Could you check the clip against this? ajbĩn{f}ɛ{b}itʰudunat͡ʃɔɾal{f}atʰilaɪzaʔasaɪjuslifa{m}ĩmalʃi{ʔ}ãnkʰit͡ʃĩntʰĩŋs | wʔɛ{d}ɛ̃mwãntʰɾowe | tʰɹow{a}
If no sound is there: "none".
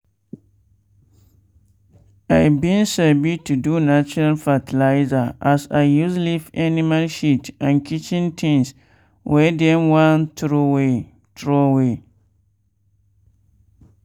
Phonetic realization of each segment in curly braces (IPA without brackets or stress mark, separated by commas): s, b, f, n, t, d, e